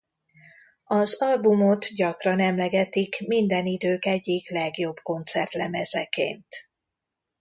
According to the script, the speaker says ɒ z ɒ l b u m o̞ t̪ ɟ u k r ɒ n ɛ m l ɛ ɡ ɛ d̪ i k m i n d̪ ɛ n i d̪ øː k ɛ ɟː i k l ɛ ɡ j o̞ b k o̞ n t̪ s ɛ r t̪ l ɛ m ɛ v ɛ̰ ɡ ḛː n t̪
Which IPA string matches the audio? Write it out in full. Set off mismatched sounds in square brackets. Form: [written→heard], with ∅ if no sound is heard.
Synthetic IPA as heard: ɒ z ɒ l b u m o̞ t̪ ɟ [u→ɒ] k r ɒ n ɛ m l ɛ ɡ ɛ [d̪→t̪] i k m i n d̪ ɛ n i d̪ øː k ɛ ɟː i k l ɛ ɡ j o̞ b k o̞ n t̪ s ɛ r t̪ l ɛ m ɛ [v→z] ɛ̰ [ɡ→k] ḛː n t̪

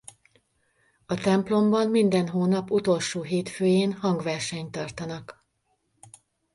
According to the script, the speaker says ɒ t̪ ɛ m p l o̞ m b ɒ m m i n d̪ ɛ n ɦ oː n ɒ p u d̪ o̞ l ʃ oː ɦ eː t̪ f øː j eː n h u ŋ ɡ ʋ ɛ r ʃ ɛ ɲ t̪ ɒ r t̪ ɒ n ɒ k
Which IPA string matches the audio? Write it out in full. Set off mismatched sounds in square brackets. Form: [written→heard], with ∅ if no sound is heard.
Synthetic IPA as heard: ɒ t̪ ɛ m p l o̞ m b ɒ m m i n d̪ ɛ n ɦ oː n ɒ p u [d̪→t̪] o̞ l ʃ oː ɦ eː t̪ f øː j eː n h [u→ɒ] ŋ ɡ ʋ ɛ r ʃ ɛ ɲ t̪ ɒ r t̪ ɒ n ɒ k

